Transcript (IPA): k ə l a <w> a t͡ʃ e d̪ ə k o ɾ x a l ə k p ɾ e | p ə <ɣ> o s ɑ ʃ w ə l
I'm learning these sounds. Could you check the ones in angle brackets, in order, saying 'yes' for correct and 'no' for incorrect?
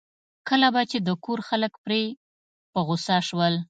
no, yes

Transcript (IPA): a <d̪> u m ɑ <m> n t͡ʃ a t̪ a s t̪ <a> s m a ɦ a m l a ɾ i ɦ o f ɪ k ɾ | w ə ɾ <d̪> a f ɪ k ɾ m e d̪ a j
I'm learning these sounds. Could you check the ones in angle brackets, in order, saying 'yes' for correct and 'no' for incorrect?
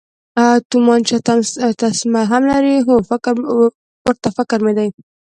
no, no, yes, no

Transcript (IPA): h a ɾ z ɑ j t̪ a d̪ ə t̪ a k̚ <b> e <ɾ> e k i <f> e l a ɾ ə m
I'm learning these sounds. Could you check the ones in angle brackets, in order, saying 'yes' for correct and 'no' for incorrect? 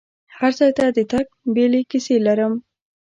yes, no, no

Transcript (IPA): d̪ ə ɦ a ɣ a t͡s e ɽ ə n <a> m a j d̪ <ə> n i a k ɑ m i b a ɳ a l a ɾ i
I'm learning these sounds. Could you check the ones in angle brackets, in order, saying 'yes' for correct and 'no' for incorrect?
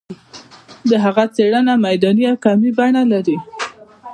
yes, no

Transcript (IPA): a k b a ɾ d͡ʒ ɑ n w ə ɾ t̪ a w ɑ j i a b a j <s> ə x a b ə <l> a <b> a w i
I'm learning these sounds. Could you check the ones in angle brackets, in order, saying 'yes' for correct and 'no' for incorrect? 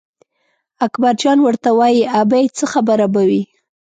no, no, yes

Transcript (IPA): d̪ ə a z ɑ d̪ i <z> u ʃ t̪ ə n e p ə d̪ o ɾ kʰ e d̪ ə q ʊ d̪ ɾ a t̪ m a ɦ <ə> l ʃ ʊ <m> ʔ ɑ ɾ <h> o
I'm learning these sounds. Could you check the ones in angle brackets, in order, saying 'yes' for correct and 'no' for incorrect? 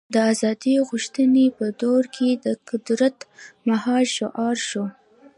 no, no, no, no

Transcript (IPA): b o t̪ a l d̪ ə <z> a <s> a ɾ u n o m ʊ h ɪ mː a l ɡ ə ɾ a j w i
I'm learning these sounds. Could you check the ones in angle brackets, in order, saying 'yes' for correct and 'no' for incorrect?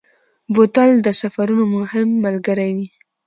no, no

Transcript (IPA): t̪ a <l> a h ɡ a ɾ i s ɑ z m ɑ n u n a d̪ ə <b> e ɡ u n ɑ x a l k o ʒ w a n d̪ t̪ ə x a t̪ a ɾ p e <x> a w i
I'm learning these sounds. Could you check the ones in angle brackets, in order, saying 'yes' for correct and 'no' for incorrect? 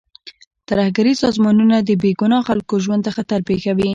no, yes, yes

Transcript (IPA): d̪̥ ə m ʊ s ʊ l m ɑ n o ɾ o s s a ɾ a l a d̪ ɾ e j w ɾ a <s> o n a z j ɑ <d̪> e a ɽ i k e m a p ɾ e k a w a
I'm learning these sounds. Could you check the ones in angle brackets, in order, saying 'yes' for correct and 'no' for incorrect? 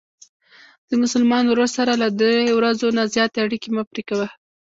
no, no

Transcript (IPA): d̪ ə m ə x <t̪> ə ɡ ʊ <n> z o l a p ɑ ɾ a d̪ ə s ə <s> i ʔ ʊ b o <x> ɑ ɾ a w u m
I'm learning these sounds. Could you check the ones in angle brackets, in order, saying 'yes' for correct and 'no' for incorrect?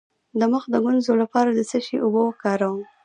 no, yes, no, no

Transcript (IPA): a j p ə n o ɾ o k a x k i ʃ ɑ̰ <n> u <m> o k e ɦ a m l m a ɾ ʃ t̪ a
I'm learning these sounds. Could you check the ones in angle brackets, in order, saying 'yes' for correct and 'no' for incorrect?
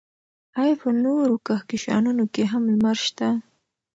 yes, no

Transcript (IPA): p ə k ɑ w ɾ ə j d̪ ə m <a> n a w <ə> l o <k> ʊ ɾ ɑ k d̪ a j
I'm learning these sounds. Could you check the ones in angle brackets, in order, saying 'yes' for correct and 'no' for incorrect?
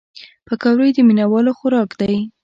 no, no, no

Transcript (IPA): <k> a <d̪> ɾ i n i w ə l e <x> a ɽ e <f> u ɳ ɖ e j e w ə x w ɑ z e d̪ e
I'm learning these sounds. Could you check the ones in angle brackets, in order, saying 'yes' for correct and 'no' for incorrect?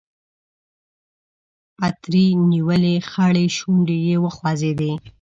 no, no, yes, no

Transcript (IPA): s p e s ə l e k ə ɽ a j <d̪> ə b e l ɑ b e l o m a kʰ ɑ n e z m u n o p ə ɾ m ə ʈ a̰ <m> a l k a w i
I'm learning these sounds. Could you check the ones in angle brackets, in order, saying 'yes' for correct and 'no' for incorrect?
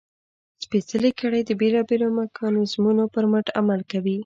yes, yes

